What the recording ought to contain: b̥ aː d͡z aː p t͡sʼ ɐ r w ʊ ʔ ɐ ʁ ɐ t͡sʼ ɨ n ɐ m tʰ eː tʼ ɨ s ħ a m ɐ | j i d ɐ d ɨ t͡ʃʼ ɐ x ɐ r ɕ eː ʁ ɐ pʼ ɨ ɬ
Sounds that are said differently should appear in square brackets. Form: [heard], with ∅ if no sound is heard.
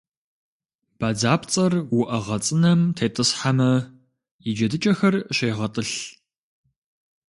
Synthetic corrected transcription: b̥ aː d͡z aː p t͡sʼ ɐ r w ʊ ʔ ɐ ʁ ɐ t͡sʼ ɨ n ɐ m tʰ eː tʼ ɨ s ħ a m ɐ | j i [d͡ʒ] ɐ d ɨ t͡ʃʼ ɐ x ɐ r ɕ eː ʁ ɐ [tʼ] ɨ ɬ